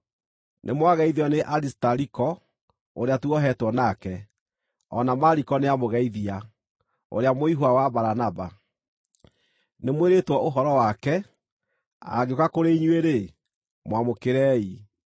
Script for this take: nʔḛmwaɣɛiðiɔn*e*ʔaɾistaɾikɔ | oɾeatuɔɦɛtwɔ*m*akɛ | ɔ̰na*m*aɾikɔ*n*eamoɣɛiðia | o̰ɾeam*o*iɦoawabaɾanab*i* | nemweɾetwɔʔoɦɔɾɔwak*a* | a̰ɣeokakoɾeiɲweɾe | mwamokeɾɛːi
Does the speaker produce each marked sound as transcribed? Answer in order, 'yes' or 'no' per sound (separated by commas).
yes, no, yes, yes, yes, no, no